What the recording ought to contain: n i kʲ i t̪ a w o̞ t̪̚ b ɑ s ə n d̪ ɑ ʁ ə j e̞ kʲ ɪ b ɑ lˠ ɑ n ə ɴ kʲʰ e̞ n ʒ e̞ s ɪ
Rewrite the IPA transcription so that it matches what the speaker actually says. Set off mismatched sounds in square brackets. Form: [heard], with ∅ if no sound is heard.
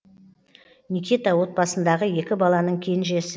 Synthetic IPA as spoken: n i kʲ i t̪ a w o̞ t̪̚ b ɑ s ə n d̪ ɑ ʁ ə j e̞ kʲ ɪ b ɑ lˠ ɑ n ə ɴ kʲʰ e̞ n ʒ e̞ s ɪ

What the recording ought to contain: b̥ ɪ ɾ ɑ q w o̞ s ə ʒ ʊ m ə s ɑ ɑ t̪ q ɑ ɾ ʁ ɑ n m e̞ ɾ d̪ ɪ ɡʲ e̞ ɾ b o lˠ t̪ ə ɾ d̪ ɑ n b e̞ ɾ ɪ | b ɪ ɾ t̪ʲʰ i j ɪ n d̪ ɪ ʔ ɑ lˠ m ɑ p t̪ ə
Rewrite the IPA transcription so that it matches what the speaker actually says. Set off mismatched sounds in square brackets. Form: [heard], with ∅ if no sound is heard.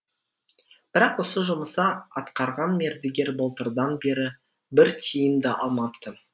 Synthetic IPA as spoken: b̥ ɪ ɾ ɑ q w o̞ s ə ʒ ʊ m ə s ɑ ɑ t̪ q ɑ ɾ ʁ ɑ n m e̞ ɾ d̪ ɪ ɡʲ e̞ ɾ b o lˠ t̪ ə ɾ d̪ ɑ n b e̞ ɾ ɪ | b ɪ ɾ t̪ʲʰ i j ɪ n d̪ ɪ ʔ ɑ lˠ m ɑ p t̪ ə

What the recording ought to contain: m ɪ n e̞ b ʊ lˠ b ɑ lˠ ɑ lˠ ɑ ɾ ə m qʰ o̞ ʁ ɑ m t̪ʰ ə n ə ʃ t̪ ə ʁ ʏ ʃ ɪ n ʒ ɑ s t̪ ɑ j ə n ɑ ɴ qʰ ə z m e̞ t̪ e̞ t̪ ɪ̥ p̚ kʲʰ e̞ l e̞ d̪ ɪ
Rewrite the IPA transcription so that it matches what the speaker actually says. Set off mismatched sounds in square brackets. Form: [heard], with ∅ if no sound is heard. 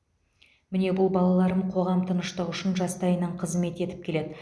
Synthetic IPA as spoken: m ɪ n e̞ b ʊ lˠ b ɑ lˠ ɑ lˠ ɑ ɾ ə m qʰ o̞ ʁ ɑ m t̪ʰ ə n ə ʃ t̪ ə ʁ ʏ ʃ ɪ n ʒ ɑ s t̪ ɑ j ə n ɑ ɴ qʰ ə z m e̞ t̪ e̞ t̪ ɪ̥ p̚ kʲʰ e̞ l e̞ d̪ ɪ

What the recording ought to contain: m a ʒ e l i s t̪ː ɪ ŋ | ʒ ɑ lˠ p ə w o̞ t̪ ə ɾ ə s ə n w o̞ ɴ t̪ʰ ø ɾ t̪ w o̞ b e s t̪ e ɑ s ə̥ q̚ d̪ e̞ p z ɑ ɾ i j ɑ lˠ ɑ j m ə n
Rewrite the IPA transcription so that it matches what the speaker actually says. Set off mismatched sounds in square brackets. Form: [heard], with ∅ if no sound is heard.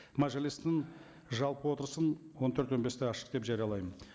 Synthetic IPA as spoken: m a ʒ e l i s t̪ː ɪ ŋ | ʒ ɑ lˠ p ə w o̞ t̪ ə ɾ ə s ə n w o̞ [n] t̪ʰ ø ɾ t̪ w o̞ b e s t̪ e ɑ [ʃ] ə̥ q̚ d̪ e̞ p [ʒ] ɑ ɾ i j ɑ lˠ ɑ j m ə n

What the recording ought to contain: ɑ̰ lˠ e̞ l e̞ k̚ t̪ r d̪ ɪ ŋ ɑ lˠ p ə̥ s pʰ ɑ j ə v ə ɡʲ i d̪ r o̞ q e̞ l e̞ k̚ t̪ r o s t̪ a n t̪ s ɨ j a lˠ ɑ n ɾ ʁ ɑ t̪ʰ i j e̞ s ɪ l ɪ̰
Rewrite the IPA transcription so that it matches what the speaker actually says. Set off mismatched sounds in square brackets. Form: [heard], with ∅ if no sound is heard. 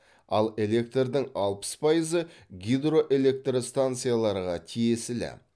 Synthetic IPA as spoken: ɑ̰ lˠ e̞ l e̞ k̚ t̪ r d̪ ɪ ŋ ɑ lˠ p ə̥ s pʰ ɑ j ə [z] ə ɡʲ i d̪ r o̞ [ʔ] e̞ l e̞ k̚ t̪ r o s t̪ a n t̪ s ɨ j a lˠ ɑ [∅] ɾ ʁ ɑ t̪ʰ i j e̞ s ɪ l ɪ̰

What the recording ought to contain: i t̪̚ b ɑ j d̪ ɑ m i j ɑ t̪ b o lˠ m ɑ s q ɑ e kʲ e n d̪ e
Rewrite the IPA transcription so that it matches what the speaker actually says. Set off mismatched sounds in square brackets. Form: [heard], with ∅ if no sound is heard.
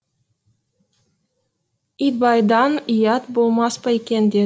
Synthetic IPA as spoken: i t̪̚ b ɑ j d̪ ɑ [n] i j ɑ t̪ b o lˠ m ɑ s [p] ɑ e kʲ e n d̪ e

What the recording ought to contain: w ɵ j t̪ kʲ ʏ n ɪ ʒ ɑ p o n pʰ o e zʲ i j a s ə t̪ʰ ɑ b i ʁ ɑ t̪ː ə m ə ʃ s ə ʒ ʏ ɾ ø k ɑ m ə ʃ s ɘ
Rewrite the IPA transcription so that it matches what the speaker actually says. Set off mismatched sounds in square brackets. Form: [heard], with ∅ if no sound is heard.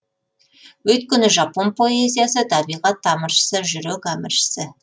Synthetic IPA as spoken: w ɵ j t̪ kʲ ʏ n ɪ ʒ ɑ p o n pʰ o e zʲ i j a s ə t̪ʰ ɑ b i ʁ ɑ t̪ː [ɑ] m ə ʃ s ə ʒ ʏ ɾ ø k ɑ m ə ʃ s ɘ

